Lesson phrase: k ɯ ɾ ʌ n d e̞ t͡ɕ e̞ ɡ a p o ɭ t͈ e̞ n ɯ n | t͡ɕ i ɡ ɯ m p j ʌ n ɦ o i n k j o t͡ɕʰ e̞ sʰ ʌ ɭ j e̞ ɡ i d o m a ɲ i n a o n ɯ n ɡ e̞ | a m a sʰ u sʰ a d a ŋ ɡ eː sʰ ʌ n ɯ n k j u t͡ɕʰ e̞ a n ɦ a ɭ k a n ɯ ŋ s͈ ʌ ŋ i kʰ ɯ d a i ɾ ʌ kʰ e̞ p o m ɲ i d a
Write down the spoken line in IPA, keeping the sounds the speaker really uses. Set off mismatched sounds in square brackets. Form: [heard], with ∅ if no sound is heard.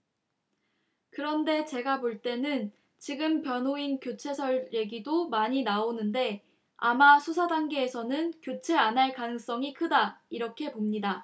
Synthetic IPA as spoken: k ɯ ɾ ʌ n d e̞ t͡ɕ e̞ ɡ a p o ɭ t͈ e̞ n ɯ n | t͡ɕ i ɡ ɯ m p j ʌ n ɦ o i n k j o t͡ɕʰ e̞ sʰ ʌ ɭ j e̞ ɡ i d o m a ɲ i n a o n ɯ n [d] e̞ | a m a sʰ u sʰ a d a ŋ ɡ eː sʰ ʌ n ɯ n k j [o] t͡ɕʰ e̞ a n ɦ a ɭ k a n ɯ ŋ s͈ ʌ ŋ i kʰ ɯ d a i ɾ ʌ kʰ e̞ p o m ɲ i d a